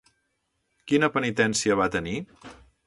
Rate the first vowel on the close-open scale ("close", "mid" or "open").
close